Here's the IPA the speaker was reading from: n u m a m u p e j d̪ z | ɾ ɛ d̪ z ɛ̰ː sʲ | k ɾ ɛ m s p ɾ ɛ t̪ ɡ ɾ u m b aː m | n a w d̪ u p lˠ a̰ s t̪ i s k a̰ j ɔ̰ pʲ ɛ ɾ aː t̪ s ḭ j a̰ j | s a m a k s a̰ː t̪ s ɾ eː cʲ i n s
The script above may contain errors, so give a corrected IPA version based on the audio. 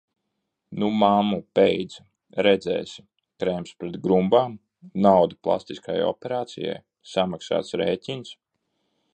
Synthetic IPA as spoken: n u m a m u p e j d̪ z | ɾ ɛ d̪ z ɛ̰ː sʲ | k ɾ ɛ m s p ɾ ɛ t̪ ɡ ɾ u m b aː m | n a w d̪ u p lˠ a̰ s t̪ i s k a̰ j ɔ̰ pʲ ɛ ɾ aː t̪ s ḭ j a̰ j | s a m a k s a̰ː t̪ s ɾ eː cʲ i n s